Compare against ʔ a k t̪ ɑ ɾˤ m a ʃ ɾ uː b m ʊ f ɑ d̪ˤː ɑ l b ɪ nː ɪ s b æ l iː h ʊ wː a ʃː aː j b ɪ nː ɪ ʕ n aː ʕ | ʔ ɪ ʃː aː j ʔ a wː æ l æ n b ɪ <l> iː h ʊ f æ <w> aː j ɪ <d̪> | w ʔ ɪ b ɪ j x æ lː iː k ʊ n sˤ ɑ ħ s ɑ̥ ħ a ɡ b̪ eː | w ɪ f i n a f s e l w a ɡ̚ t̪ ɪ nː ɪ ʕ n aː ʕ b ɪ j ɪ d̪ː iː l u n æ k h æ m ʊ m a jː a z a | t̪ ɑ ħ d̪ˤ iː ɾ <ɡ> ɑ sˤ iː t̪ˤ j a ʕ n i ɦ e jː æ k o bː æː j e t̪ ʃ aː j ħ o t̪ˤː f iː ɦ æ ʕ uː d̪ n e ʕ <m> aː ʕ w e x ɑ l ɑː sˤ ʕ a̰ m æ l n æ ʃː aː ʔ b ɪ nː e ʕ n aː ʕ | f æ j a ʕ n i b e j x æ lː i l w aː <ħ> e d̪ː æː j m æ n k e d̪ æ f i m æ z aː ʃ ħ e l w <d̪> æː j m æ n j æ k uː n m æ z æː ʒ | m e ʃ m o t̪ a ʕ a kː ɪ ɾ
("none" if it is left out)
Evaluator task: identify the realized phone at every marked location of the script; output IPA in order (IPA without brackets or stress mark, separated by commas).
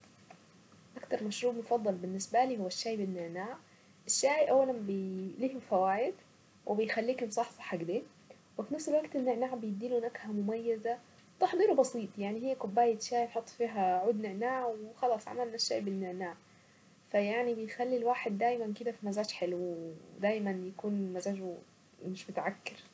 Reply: l, w, d̪, b, n, ħ, d̪